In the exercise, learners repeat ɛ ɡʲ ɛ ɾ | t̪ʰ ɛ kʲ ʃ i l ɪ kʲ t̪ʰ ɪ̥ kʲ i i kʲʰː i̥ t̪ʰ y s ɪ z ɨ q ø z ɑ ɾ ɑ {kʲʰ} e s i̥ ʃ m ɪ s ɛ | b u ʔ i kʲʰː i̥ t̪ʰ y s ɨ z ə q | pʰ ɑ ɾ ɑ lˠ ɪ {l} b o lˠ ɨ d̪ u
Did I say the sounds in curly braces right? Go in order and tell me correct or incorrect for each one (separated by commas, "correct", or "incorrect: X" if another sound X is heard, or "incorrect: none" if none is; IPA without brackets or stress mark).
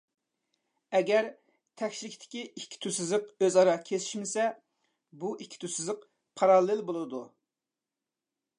correct, correct